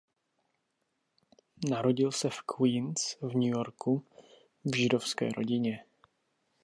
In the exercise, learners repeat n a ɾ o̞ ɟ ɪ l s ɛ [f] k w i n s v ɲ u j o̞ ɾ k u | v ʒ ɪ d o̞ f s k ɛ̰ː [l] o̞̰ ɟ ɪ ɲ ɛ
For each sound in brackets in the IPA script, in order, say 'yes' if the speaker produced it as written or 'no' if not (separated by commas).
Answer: yes, no